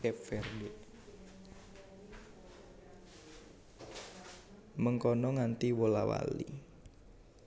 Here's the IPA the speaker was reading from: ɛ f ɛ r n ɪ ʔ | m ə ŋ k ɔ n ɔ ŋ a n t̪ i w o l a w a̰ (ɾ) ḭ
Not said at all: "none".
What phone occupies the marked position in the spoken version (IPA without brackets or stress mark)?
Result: l